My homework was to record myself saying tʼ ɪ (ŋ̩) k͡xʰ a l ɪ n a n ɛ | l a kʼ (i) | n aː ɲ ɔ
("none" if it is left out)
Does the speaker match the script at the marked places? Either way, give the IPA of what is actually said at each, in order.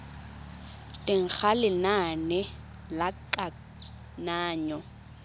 ŋ̩, a

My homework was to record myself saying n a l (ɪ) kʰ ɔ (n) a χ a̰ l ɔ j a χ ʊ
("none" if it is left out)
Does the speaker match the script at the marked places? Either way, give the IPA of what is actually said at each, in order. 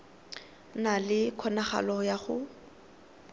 ɪ, n

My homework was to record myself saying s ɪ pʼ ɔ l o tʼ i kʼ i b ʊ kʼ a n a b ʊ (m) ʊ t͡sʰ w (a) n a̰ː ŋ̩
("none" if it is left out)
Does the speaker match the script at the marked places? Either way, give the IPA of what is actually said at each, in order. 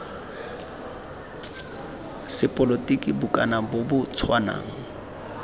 b, a

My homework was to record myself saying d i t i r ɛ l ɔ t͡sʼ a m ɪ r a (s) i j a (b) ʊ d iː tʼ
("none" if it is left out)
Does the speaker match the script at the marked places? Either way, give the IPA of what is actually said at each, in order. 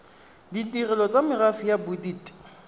f, b

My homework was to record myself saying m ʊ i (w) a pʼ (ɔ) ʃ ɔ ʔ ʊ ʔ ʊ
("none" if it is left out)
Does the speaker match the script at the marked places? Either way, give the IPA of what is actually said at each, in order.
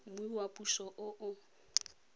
w, u

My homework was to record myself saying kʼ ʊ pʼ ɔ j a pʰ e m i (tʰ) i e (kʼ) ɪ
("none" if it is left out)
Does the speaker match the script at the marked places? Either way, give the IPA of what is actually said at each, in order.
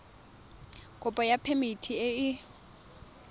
tʰ, none

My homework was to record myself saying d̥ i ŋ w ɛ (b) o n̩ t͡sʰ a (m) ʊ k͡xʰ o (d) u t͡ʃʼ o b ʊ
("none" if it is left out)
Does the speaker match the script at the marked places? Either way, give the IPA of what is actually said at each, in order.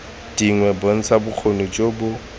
b, b, n

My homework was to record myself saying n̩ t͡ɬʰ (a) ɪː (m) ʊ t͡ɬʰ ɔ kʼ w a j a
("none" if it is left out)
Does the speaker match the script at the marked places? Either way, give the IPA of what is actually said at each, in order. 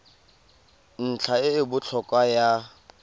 a, b

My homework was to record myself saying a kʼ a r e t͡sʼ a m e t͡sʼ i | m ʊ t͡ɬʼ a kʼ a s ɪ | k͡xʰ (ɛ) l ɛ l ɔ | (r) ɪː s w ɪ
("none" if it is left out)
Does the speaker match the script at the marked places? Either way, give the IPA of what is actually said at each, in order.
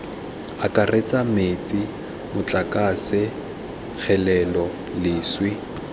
ɛ, l

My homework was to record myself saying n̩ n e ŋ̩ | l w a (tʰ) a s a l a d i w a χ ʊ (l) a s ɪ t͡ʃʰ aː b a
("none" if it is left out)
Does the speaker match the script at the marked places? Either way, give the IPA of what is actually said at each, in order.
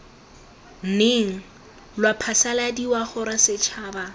pʰ, ɾ

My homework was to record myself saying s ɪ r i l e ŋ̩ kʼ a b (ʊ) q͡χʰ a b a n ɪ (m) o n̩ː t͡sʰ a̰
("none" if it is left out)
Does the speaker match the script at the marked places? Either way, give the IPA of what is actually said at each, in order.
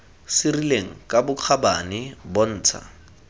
ʊ, b

